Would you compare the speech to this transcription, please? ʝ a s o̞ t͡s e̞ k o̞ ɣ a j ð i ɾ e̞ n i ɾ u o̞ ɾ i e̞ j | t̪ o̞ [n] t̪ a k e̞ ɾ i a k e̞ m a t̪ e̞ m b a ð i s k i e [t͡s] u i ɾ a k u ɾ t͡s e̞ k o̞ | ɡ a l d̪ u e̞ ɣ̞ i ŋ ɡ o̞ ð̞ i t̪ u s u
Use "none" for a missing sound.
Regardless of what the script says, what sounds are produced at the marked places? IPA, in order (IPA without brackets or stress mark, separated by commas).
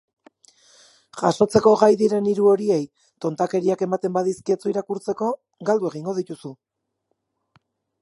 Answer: n, t͡s